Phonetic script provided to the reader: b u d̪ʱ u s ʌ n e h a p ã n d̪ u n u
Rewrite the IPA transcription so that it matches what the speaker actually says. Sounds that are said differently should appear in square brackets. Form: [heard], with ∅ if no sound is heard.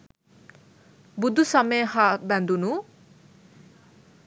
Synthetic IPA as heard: b u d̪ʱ u s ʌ [m] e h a [b] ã n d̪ u n u